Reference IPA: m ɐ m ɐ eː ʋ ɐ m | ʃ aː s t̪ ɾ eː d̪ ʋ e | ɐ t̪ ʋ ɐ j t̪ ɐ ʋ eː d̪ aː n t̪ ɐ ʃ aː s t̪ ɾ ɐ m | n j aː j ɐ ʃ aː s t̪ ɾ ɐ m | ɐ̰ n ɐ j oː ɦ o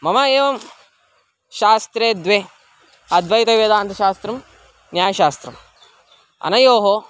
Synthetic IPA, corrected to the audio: m ɐ m ɐ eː ʋ ɐ m | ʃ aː s t̪ ɾ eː d̪ ʋ e | ɐ d̪ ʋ ɐ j t̪ ɐ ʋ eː d̪ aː n t̪ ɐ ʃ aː s t̪ ɾ ɐ m | n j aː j ɐ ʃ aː s t̪ ɾ ɐ m | ɐ̰ n ɐ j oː ɦ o